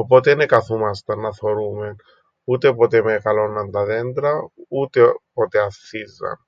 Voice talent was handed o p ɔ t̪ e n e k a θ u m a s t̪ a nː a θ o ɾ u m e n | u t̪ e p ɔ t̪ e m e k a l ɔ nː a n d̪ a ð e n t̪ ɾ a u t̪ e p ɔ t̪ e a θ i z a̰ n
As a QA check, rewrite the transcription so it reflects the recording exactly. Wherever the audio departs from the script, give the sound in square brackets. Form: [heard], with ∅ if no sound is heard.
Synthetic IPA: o p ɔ t̪ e n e k a θ u m a s t̪ a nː a θ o ɾ u m e n | u t̪ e p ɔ t̪ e m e k a l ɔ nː a n d̪ a ð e n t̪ ɾ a u t̪ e p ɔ t̪ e a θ i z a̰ n

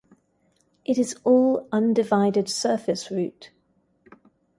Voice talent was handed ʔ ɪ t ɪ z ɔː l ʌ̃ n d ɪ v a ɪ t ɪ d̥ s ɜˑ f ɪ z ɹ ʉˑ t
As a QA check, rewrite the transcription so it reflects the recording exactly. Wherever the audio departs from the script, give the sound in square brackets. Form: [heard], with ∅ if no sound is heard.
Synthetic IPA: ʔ ɪ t ɪ z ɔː l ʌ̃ n d ɪ v a ɪ [d] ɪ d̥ s ɜˑ f ɪ [s] ɹ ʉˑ t

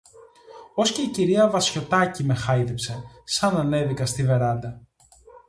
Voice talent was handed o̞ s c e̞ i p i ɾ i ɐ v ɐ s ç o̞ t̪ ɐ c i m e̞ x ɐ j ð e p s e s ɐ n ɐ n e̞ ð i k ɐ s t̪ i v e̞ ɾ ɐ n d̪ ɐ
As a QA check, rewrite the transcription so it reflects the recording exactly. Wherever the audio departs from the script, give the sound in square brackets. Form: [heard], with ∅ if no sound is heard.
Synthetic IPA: o̞ s c e̞ i [c] i ɾ i ɐ v ɐ s ç o̞ t̪ ɐ c i m e̞ x ɐ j ð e p s e s ɐ n ɐ n e̞ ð i k ɐ s t̪ i v e̞ ɾ ɐ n d̪ ɐ

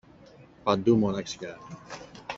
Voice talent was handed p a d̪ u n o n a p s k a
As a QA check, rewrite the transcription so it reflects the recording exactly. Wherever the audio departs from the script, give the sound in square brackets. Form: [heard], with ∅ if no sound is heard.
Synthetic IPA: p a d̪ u [m] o n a [k] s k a

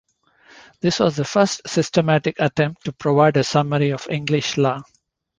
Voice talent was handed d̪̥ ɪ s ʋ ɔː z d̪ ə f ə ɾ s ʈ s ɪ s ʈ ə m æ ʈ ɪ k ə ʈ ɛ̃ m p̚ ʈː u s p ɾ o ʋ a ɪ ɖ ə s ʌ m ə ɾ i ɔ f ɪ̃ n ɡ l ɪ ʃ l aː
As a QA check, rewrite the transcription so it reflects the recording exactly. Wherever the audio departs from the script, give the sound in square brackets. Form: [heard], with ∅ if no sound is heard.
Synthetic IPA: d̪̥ ɪ s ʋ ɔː z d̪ ə f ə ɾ s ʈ s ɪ s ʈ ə m æ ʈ ɪ k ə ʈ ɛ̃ m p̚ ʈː u [∅] p ɾ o ʋ a ɪ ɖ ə s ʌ m ə ɾ i ɔ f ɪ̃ [ŋ] ɡ l ɪ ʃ l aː

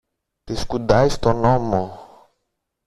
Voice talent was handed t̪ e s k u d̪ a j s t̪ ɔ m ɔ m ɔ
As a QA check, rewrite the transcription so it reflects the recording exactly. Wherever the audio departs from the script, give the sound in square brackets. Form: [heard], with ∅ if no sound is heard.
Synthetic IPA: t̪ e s k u d̪ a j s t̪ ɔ [n] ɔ m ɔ

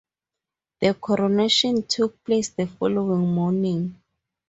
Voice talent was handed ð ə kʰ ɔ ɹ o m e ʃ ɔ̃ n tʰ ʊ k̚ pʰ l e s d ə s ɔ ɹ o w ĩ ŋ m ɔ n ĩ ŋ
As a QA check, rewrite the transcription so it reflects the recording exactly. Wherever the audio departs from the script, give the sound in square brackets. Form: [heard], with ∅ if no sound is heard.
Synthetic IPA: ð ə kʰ ɔ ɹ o [n] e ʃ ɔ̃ n tʰ [u] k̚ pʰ l e s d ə [f] ɔ [l] o w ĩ ŋ m ɔ n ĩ ŋ

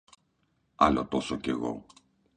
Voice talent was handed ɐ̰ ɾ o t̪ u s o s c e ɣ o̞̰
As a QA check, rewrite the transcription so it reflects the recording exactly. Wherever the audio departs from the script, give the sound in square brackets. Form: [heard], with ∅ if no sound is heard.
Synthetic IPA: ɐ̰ [l] o t̪ [o] s o [∅] c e ɣ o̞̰

